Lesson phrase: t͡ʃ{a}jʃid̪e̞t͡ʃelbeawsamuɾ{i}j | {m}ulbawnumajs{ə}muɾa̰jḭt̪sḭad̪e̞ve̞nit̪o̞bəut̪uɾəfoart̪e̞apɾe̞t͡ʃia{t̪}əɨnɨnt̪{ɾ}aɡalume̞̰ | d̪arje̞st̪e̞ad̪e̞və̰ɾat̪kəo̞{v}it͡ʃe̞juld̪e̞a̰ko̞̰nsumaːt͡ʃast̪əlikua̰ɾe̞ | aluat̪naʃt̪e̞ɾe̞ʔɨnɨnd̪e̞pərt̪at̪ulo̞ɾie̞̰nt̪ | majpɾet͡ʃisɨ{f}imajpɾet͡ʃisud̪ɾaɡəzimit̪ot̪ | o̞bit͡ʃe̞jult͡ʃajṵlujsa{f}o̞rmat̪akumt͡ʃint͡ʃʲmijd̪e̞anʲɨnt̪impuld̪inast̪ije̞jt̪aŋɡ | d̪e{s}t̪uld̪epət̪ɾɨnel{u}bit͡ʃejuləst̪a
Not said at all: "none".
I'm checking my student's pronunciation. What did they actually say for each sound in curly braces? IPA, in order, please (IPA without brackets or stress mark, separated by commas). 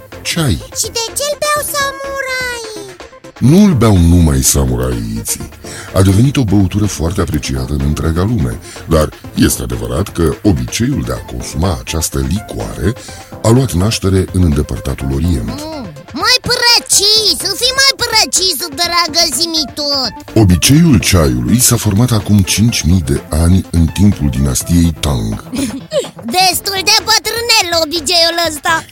a, a, n, a, t̪, ɾ, b, f, f, s, o